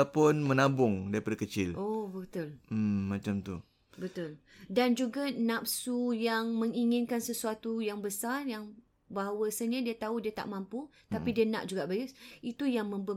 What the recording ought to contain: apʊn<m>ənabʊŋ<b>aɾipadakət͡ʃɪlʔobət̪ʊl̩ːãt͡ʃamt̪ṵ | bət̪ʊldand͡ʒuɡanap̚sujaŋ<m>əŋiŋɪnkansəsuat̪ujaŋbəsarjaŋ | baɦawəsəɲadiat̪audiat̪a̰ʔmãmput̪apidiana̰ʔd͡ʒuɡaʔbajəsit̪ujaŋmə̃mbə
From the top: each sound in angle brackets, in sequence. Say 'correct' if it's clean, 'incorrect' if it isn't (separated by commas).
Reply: correct, incorrect, correct